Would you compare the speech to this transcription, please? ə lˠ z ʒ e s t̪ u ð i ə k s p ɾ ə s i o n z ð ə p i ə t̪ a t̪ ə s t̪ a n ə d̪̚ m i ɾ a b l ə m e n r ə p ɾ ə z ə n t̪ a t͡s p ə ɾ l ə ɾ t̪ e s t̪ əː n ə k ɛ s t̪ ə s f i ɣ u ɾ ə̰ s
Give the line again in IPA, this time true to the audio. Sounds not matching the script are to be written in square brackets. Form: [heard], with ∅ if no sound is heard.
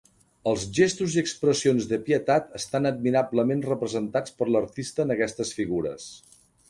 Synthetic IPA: ə lˠ z ʒ e s t̪ u [z] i ə k s p ɾ ə s i o n z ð ə p i ə t̪ a t̪ ə s t̪ a n ə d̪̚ m i ɾ a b l ə m e n r ə p ɾ ə z ə n t̪ a t͡s p ə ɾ l ə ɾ t̪ [i] s t̪ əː n ə k ɛ s t̪ ə s f i ɣ u ɾ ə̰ s